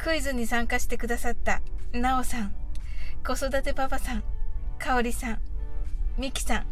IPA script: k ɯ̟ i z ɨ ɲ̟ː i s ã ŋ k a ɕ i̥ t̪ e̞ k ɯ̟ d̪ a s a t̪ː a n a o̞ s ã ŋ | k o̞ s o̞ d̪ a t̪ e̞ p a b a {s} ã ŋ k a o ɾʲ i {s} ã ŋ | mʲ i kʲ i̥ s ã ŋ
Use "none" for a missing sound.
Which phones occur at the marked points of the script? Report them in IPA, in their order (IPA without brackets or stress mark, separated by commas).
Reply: s, s